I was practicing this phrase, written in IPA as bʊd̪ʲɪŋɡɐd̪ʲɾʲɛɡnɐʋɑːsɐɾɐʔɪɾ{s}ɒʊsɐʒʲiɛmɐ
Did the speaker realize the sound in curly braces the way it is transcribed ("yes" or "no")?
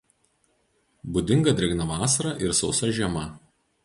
yes